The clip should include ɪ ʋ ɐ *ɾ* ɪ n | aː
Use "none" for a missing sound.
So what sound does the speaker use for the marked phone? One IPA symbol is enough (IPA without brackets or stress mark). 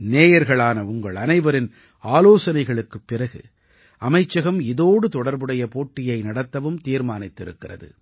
ɾ